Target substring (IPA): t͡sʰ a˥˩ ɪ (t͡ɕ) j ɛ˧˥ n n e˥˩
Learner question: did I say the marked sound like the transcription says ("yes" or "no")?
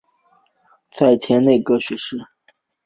no